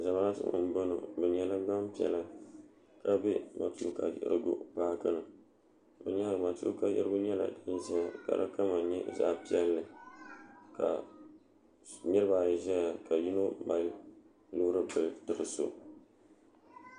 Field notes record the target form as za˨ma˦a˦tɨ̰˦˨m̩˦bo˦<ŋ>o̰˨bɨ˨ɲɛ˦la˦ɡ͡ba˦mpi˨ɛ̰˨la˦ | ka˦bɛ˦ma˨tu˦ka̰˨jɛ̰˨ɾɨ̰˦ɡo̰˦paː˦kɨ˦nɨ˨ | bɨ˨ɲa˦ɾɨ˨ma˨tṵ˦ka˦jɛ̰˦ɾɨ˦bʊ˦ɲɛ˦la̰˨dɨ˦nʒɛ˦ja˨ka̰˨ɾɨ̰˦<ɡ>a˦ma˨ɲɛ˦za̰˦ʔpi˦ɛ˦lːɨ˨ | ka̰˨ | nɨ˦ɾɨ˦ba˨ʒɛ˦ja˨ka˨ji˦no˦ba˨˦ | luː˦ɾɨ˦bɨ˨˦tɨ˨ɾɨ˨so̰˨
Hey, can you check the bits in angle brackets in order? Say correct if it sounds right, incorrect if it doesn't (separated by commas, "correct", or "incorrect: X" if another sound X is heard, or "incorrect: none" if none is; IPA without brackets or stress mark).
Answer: incorrect: n, incorrect: k